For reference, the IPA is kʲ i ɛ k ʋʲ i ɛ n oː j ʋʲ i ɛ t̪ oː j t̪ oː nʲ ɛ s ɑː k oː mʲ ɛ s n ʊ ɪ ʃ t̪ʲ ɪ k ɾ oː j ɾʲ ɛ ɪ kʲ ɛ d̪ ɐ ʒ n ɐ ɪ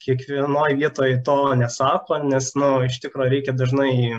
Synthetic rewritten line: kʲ i ɛ k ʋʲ i ɛ n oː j ʋʲ i ɛ t̪ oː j t̪ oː nʲ ɛ s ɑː k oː nʲ ɛ s n ʊ ɪ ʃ t̪ʲ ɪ k ɾ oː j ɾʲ ɛ ɪ kʲ ɛ d̪ ɐ ʒ n ɐ ɪ